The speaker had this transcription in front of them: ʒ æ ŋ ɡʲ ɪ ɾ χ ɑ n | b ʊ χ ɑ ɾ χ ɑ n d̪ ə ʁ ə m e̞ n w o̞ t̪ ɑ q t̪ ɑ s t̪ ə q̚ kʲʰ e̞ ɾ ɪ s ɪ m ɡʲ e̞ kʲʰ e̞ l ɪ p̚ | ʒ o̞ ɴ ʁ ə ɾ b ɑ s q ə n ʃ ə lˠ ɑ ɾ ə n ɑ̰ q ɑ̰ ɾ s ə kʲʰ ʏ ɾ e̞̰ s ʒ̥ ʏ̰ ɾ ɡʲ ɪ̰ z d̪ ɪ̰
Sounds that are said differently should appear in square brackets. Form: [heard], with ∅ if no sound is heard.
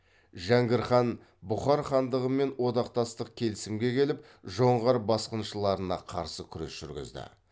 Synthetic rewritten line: ʒ æ ŋ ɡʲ ɪ ɾ χ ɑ n | b ʊ χ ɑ ɾ χ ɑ n d̪ ə ʁ ə m e̞ n w o̞ [d̪] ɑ q t̪ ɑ s t̪ ə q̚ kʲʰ e̞ [l] ɪ s ɪ m ɡʲ e̞ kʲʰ e̞ l ɪ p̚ | ʒ o̞ ɴ ʁ [ɑ] ɾ b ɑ s q ə n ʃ ə lˠ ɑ ɾ ə n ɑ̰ [qʰ] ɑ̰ ɾ s ə kʲʰ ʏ ɾ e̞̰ s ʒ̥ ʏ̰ ɾ ɡʲ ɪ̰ z d̪ ɪ̰